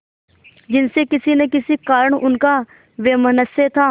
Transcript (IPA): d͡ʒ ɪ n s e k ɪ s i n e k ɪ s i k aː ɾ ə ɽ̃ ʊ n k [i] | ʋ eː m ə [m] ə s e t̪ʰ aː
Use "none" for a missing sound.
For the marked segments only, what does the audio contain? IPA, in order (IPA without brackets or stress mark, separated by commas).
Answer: a, n